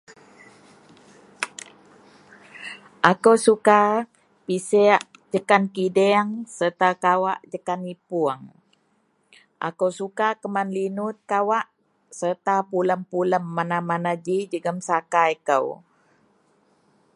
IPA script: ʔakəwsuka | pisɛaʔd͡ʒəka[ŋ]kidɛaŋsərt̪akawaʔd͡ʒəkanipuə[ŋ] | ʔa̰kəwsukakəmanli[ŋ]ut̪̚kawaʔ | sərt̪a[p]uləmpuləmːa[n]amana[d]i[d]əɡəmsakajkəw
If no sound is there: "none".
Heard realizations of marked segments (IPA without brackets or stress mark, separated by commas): n, ŋ, n, p, n, d͡ʒ, d͡ʒ